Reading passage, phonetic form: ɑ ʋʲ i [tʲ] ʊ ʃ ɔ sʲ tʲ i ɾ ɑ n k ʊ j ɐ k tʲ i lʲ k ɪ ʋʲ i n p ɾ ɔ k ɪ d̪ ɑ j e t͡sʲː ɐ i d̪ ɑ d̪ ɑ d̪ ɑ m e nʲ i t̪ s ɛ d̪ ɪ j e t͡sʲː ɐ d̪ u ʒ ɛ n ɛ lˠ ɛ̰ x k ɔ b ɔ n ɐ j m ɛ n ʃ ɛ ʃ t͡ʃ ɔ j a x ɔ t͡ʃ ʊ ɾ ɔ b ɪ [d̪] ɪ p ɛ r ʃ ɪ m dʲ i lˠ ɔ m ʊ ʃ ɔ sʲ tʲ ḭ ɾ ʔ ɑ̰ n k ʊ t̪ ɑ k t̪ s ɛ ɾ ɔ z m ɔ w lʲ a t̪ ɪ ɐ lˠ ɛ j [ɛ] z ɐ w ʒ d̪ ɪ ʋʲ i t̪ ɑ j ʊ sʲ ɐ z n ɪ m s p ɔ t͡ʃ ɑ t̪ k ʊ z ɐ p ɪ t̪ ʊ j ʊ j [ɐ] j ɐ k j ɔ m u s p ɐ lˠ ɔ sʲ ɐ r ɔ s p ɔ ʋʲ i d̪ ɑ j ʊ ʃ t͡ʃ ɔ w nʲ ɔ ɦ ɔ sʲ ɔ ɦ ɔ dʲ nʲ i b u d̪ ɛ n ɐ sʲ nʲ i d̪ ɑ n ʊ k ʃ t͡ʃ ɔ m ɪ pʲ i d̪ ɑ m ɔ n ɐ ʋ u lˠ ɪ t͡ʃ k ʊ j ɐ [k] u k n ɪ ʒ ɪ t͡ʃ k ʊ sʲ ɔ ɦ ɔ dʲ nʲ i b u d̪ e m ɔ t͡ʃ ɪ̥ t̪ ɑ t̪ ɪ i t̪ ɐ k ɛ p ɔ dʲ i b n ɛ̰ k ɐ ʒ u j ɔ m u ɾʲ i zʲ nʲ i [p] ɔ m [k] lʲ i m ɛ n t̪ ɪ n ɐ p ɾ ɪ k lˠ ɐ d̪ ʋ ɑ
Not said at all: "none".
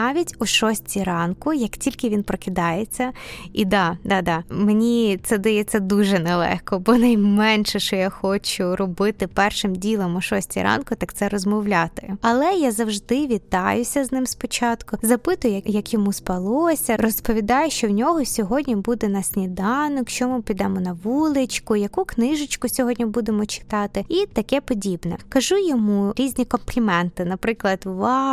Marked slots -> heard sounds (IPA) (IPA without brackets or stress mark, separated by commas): tʲ, t̪, a, ɐ, k, k, p